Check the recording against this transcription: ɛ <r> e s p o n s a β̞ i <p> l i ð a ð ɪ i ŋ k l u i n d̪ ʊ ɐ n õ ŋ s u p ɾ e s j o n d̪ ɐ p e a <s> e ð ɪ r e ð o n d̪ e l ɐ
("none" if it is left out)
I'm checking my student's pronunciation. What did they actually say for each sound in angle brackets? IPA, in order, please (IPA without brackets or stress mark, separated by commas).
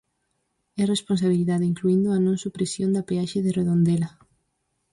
r, none, ʃ